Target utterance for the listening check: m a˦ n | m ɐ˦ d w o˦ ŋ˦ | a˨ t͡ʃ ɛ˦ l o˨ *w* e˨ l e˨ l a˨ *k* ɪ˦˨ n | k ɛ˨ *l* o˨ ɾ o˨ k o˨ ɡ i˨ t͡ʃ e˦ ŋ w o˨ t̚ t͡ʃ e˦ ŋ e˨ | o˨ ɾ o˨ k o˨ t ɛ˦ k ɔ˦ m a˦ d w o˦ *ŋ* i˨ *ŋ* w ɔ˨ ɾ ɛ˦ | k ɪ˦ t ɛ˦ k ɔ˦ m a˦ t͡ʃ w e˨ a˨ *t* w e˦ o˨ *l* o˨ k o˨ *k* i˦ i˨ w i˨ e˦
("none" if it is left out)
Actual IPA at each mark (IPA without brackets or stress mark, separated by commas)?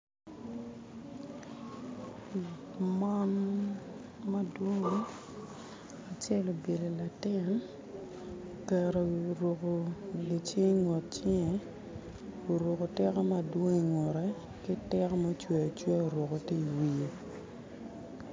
b, t, ɾ, ŋ, ŋ, t͡ʃ, ɾ, t